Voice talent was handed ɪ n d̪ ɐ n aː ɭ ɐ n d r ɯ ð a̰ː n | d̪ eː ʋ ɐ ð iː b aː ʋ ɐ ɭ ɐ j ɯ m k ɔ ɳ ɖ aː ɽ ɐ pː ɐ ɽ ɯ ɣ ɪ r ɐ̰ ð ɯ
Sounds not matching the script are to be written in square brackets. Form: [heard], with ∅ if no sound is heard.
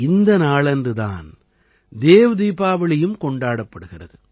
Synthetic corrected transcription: ɪ n d̪ ɐ n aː ɭ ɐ n d r ɯ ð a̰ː n | d̪ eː ʋ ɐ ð iː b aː ʋ ɐ ɭ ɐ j ɯ m k ɔ ɳ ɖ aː ɽ ɐ pː ɐ ɽ ɯ ɣ ɪ r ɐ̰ ð ɯ